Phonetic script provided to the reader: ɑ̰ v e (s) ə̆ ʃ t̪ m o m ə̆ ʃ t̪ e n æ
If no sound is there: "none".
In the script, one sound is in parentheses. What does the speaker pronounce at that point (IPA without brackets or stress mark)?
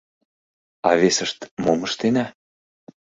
s